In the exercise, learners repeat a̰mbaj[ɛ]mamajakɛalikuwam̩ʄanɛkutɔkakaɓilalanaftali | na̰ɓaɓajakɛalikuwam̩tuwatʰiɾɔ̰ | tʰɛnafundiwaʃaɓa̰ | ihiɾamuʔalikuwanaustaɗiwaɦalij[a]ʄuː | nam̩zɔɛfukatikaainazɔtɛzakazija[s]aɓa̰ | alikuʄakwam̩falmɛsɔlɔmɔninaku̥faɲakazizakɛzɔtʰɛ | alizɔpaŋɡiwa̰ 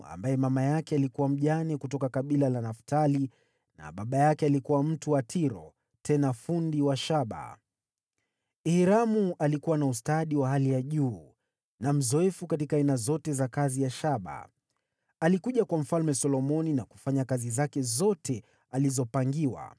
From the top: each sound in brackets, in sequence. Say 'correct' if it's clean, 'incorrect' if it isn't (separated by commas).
correct, correct, incorrect